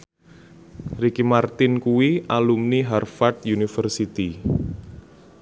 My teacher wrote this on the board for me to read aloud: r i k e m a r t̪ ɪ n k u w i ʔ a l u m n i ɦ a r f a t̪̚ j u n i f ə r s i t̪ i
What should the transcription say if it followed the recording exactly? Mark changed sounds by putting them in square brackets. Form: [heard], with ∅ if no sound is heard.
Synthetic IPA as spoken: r i k [i] m a r t̪ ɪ n k u w i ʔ a l u m n i ɦ a r f a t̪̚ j u n i f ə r s i t̪ i